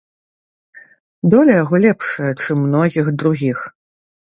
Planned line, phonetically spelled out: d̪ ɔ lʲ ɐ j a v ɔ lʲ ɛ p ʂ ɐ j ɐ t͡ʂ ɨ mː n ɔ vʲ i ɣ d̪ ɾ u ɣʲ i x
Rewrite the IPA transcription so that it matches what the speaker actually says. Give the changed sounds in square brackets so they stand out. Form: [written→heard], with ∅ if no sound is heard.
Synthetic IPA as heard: d̪ ɔ lʲ ɐ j a [v→ɣ] ɔ lʲ ɛ p ʂ ɐ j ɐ t͡ʂ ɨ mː n ɔ [vʲ→ɣʲ] i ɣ d̪ ɾ u ɣʲ i x